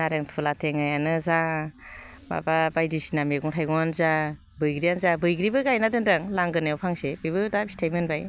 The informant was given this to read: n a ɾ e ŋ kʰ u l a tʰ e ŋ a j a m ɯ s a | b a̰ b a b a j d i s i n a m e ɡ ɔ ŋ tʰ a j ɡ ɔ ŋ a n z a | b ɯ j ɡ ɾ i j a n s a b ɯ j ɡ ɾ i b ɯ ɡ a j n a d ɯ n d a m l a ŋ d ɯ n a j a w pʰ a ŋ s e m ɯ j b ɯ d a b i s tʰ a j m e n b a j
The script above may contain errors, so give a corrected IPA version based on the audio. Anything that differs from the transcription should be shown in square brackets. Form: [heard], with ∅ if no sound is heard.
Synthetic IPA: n a ɾ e ŋ [tʰ] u l a tʰ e ŋ a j a [n] ɯ [z] a | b a̰ b a b a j d i s i n a m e ɡ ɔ ŋ tʰ a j ɡ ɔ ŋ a n z a | b ɯ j ɡ ɾ i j a n [z] a b ɯ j ɡ ɾ i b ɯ ɡ a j n a d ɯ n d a [ŋ] l a ŋ [ɡ] ɯ n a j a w pʰ a ŋ s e [b] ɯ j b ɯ d a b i s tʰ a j m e n b a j